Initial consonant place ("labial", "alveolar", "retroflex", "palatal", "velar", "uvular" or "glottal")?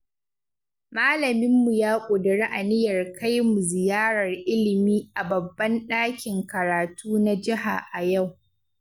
labial